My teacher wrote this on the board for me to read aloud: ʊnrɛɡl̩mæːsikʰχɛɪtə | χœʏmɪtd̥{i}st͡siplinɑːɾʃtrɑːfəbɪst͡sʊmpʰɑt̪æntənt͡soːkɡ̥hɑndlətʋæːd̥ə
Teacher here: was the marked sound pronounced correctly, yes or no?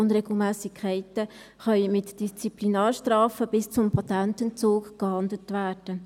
yes